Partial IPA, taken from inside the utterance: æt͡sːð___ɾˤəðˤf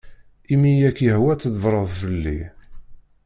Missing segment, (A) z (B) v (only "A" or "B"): B